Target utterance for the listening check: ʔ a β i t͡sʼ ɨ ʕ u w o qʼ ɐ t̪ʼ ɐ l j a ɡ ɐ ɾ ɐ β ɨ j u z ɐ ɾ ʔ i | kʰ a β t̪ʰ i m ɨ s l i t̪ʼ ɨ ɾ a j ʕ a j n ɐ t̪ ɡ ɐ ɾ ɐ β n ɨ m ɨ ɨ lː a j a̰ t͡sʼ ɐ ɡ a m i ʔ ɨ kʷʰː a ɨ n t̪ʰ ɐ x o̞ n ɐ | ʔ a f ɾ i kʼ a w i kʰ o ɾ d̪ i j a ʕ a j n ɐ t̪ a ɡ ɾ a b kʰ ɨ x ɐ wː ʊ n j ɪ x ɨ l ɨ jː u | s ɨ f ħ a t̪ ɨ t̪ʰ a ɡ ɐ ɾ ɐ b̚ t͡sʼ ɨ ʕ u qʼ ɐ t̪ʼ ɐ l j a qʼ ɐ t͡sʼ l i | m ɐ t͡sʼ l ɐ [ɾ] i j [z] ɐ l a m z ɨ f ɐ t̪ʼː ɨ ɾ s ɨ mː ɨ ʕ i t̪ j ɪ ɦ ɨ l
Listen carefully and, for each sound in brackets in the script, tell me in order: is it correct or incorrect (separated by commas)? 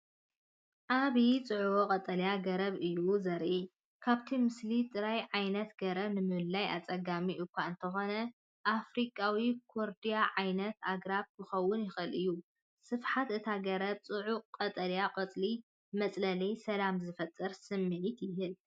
incorrect, incorrect